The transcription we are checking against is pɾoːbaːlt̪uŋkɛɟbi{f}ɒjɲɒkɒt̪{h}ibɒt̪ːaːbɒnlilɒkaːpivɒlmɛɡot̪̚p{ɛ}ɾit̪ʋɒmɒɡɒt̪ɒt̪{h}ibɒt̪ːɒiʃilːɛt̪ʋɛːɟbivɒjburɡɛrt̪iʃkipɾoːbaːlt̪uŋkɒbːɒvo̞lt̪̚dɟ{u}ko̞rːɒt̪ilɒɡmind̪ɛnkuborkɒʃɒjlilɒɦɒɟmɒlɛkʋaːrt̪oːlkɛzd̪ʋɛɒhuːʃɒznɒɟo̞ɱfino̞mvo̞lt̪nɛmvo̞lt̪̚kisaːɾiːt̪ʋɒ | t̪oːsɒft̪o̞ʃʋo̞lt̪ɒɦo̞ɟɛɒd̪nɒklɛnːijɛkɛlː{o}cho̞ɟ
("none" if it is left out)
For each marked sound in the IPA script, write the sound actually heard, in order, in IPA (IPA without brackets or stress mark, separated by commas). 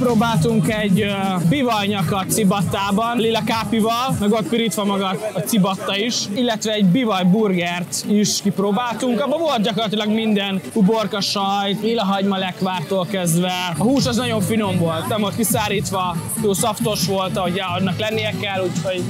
v, s, i, s, ɒ, u